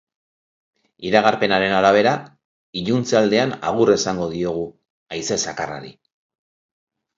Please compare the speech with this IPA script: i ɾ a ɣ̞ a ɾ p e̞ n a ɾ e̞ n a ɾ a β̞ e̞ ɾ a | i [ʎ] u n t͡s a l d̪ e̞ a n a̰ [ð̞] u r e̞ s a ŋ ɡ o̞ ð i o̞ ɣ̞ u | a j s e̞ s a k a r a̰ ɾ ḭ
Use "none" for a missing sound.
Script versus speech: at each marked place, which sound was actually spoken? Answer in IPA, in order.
ʎ, ɣ̞

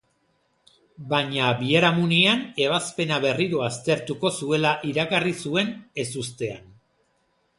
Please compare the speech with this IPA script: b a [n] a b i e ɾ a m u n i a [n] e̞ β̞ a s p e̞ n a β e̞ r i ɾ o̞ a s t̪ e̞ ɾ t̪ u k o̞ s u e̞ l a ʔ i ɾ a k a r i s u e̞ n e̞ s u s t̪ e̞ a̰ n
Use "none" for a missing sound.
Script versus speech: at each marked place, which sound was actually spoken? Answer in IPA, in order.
ɲ, n

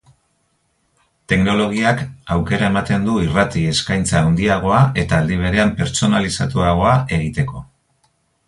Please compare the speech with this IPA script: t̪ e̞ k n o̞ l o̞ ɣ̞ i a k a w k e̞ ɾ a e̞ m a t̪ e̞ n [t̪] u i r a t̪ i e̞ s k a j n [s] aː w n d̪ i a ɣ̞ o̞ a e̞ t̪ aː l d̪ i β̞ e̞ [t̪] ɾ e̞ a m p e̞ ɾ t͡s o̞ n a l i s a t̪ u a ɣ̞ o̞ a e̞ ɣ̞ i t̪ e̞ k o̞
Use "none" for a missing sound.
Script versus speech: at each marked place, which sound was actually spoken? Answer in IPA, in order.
d̪, t͡s, none

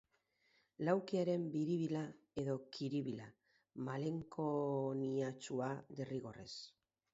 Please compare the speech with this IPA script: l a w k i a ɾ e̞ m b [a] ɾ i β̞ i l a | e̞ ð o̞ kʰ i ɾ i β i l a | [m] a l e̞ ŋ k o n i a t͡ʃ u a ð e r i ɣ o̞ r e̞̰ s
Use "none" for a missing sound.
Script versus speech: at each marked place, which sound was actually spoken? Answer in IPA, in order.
i, m

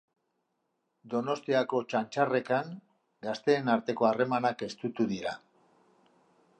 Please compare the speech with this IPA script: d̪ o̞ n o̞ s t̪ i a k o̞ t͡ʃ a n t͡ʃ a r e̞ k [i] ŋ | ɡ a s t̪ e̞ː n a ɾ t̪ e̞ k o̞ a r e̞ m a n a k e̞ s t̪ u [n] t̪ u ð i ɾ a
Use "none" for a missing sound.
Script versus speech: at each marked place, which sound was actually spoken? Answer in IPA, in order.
a, none

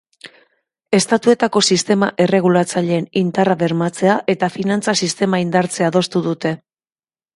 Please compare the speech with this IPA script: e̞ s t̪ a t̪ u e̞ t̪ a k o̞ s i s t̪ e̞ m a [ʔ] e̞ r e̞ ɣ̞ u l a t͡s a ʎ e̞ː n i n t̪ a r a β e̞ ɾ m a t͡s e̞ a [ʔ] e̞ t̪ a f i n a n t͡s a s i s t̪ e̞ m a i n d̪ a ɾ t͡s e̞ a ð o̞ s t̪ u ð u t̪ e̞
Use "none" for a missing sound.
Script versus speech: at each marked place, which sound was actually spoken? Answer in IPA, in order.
ʔ, ʔ

